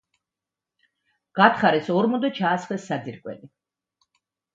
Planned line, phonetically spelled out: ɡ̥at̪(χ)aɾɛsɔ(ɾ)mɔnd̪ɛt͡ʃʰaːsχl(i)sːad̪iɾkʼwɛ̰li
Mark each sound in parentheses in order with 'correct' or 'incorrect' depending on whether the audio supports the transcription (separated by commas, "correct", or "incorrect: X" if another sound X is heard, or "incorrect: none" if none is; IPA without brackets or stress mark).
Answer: correct, correct, incorrect: ɛ